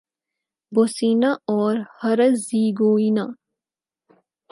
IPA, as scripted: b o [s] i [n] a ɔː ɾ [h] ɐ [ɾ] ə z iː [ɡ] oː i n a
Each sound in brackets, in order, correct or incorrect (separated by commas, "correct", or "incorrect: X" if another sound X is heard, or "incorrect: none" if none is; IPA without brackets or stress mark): correct, correct, correct, correct, correct